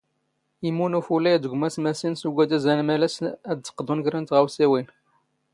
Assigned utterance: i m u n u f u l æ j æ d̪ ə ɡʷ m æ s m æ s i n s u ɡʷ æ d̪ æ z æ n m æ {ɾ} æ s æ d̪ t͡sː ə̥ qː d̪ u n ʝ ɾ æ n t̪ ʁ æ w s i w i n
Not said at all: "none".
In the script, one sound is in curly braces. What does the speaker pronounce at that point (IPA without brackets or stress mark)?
l